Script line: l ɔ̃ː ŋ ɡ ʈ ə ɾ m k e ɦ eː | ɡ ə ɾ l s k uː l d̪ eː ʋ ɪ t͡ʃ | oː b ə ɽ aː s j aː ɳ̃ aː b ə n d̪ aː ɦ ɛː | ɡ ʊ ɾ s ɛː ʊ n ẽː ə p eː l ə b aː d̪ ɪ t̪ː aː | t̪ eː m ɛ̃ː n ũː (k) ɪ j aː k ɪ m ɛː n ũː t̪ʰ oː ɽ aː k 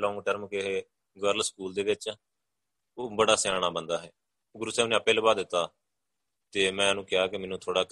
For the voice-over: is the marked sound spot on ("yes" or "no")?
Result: yes